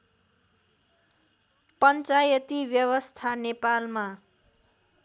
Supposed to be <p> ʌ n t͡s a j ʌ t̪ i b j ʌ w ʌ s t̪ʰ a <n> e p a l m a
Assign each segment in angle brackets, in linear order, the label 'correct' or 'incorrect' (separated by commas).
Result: correct, correct